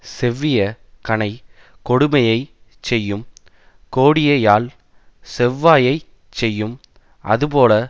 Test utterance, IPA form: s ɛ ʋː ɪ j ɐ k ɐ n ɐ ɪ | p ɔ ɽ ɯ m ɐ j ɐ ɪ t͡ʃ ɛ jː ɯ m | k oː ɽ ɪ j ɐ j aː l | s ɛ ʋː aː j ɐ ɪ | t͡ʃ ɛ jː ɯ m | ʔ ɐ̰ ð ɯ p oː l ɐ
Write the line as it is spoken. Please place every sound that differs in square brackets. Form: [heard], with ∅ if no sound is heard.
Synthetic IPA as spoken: s ɛ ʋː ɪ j ɐ k ɐ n ɐ ɪ | [k] ɔ ɽ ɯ m ɐ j ɐ ɪ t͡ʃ ɛ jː ɯ m | k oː ɽ ɪ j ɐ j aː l | s ɛ ʋː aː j ɐ ɪ | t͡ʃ ɛ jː ɯ m | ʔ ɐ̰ ð ɯ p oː l ɐ